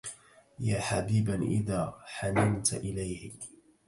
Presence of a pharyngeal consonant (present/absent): present